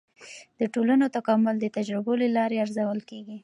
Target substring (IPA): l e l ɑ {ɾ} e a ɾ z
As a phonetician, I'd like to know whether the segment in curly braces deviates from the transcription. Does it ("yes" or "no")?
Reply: no